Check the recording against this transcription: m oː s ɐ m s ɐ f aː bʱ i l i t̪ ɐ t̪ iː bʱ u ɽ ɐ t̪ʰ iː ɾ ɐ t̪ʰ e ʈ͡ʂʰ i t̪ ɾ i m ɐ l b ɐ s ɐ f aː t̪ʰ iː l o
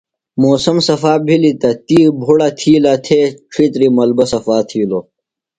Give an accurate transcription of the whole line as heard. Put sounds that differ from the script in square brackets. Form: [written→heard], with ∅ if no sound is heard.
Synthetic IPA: m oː s ɐ m s ɐ f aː bʱ i l i t̪ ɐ t̪ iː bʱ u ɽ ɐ t̪ʰ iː [ɾ→l] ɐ t̪ʰ e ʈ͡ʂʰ i t̪ ɾ i m ɐ l b ɐ s ɐ f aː t̪ʰ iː l o